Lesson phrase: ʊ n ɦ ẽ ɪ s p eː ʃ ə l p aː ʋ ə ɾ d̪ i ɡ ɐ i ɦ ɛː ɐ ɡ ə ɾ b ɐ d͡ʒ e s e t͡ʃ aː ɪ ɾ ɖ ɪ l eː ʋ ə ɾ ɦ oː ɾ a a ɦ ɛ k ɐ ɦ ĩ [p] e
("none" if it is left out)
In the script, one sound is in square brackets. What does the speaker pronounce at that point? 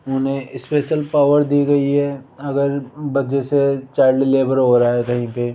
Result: p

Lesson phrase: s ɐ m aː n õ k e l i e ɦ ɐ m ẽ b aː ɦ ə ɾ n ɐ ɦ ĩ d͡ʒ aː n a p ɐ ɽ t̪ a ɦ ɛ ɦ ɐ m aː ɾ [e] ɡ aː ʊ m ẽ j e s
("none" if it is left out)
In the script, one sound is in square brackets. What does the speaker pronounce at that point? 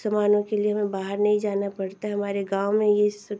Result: e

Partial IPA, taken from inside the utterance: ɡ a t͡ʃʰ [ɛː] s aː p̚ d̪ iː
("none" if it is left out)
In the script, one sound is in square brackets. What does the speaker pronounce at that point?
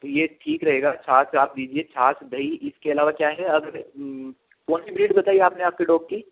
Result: aː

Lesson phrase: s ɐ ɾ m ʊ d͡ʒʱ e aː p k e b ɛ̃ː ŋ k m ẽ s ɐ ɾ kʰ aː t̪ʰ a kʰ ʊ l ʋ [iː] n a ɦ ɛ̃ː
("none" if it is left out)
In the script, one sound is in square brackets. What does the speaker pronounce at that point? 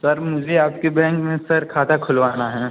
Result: aː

